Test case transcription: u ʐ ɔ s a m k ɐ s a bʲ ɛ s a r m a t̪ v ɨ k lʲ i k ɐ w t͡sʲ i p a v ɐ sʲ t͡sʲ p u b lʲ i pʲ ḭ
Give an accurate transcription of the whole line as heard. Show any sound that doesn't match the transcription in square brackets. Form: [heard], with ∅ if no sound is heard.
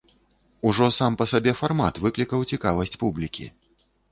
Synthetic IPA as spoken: u ʐ ɔ s a m [p] ɐ s a bʲ ɛ [f] a r m a t̪ v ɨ k lʲ i k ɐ w t͡sʲ i [k] a v ɐ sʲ t͡sʲ p u b lʲ i [kʲ] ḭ

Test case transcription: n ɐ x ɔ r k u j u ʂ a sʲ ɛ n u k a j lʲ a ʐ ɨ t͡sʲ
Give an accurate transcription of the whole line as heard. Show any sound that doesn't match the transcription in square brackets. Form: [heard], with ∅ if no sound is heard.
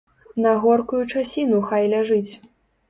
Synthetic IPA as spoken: n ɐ [ɣ] ɔ r k u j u [t͡ʂ] a sʲ [i] n u [x] a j lʲ a ʐ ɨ t͡sʲ

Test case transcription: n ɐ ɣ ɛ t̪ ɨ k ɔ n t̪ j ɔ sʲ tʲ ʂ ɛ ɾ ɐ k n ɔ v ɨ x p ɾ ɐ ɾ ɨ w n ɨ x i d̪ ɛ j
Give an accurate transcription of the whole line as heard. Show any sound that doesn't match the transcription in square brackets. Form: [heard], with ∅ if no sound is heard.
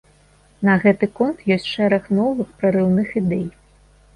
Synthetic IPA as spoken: n ɐ ɣ ɛ t̪ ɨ k ɔ n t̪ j ɔ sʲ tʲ ʂ ɛ ɾ ɐ [x] n ɔ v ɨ x p ɾ ɐ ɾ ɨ w n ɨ x i d̪ ɛ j

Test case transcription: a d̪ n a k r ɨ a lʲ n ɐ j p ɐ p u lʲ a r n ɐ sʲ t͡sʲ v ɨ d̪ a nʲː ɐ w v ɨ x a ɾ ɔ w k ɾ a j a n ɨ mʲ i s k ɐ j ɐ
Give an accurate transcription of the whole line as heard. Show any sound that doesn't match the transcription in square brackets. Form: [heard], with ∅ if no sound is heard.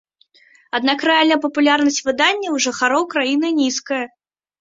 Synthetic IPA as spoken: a d̪ n a k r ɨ a lʲ n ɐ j p ɐ p u lʲ a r n ɐ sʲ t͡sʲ v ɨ d̪ a nʲː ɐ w [ʐ] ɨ x a ɾ ɔ w k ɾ a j [i] n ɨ [nʲ] i s k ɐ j ɐ

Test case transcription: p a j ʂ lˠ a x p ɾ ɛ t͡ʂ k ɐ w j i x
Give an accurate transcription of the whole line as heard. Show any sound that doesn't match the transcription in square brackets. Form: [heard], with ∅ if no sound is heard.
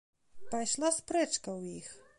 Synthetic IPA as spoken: p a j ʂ lˠ a [s] p ɾ ɛ t͡ʂ k ɐ w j i x

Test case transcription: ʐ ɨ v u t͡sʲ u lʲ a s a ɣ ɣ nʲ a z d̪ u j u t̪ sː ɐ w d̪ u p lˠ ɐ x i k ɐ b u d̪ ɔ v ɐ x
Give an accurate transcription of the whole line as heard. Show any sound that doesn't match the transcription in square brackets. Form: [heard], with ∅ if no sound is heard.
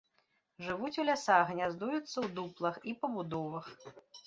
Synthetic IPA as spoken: ʐ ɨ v u t͡sʲ u lʲ a s a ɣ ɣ nʲ a z d̪ u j u t̪ sː ɐ w d̪ u p lˠ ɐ x i [p] ɐ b u d̪ ɔ v ɐ x

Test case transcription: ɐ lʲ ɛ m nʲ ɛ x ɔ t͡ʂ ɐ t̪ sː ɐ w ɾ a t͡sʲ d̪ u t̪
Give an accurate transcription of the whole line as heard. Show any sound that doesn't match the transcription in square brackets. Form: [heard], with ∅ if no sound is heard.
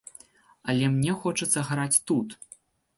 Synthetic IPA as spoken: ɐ lʲ ɛ m nʲ ɛ x ɔ t͡ʂ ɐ t̪ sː ɐ [ɣ] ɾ a t͡sʲ [t̪] u t̪

